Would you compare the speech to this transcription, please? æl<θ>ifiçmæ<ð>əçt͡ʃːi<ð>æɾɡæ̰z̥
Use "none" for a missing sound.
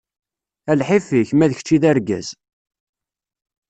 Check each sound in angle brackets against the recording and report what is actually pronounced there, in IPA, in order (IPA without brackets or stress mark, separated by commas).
ħ, ð, ð